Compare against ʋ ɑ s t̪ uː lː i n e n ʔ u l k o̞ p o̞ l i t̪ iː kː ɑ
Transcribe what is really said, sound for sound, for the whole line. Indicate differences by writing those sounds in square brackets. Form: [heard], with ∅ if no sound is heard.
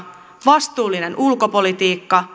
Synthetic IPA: ʋ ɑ s t̪ uː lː i n e n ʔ u l k o̞ p o̞ l i t̪ iː kː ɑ

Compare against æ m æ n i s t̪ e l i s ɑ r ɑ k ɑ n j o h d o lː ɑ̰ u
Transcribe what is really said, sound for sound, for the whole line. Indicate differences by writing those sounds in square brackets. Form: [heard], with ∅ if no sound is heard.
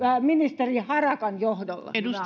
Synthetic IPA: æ m [i] n i s t̪ e [r] i [h] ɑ r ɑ k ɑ n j o h d o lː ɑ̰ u

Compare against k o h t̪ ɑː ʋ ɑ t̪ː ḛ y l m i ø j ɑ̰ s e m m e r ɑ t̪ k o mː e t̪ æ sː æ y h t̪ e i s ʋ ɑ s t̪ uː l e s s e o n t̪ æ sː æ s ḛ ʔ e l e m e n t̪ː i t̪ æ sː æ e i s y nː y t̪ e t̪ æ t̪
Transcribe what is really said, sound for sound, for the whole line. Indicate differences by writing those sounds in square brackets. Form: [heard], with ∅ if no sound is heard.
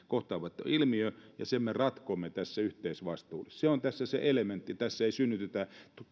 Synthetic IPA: k o h t̪ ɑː ʋ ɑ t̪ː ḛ [i] l m i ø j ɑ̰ s e m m e r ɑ t̪ k o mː e t̪ æ sː æ y h t̪ e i s ʋ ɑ s t̪ uː l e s s e o n t̪ æ sː æ s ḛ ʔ e l e m e n t̪ː i t̪ æ sː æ e i s y nː y t̪ e t̪ æ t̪

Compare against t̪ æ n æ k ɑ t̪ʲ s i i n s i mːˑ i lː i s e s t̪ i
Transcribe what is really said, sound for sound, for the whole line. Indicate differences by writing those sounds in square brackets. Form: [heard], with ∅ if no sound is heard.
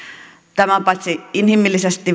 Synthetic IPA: t̪ æ [m] æ [p] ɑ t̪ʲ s i i n [h] i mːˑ i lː i s e s t̪ i

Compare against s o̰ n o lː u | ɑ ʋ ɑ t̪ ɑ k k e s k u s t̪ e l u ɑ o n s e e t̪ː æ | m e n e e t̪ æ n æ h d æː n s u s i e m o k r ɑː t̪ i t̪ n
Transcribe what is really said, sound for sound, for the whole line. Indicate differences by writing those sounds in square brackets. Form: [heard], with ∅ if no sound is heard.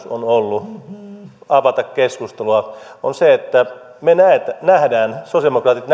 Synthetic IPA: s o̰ n o lː u | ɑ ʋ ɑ t̪ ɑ k k e s k u s t̪ e l u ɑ o n s e e t̪ː æ | m e n [æ] e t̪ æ n æ h d æː n s [o] s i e m o k r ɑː t̪ i t̪ n

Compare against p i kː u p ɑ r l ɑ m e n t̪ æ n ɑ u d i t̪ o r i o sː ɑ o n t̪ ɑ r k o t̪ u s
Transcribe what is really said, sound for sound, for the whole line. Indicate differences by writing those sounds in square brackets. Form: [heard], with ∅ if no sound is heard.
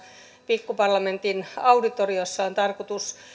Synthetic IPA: p i kː u p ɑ r l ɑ m e n t̪ [i] n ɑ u d i t̪ o r i o sː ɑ o n t̪ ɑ r k o t̪ u s

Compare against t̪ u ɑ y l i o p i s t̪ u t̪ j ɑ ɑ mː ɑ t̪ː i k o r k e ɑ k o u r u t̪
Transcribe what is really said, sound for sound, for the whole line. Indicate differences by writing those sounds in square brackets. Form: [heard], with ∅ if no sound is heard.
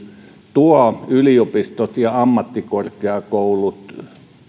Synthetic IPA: t̪ u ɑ y l i o p i s t̪ [o] t̪ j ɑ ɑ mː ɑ t̪ː i k o r k e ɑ k o u [l] u t̪

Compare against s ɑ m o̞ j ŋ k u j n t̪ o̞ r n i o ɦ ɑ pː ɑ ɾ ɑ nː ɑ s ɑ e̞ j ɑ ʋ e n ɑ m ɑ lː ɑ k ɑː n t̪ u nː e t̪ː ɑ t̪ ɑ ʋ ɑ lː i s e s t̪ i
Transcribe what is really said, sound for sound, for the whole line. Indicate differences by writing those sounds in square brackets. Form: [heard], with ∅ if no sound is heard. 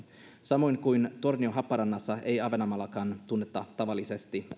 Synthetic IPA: s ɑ m o̞ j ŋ k u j n t̪ o̞ r n i o ɦ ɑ pː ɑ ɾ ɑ nː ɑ [sː] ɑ e̞ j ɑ ʋ e n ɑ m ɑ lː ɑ k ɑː n t̪ u nː e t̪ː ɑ t̪ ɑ ʋ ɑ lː i s e s t̪ i

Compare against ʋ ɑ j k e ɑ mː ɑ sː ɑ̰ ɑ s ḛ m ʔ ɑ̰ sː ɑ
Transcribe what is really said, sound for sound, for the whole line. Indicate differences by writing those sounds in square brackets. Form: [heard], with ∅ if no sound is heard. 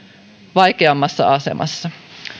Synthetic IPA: ʋ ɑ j k e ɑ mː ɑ sː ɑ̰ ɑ s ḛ m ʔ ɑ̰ sː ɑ

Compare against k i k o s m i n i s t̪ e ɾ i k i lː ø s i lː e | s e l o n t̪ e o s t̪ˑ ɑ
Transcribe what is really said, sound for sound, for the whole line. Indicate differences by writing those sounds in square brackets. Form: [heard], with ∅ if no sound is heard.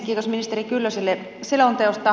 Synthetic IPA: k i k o s m i n i s t̪ e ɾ i k [y] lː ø s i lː e | s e l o n t̪ e o s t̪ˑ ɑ

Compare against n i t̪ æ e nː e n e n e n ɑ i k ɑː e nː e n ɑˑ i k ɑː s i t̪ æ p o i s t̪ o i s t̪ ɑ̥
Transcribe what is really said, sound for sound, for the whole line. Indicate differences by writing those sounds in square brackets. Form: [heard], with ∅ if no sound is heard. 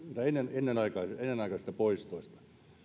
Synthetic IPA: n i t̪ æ e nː e n e [nː] e n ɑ i k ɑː e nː e n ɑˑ i k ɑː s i t̪ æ p o i s t̪ o i s t̪ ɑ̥

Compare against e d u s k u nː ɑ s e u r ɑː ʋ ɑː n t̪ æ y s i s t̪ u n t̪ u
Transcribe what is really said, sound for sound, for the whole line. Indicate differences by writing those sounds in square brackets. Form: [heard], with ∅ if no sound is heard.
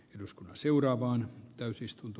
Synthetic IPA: e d u s k u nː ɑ s e u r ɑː ʋ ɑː n t̪ æ y s i s t̪ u n t̪ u

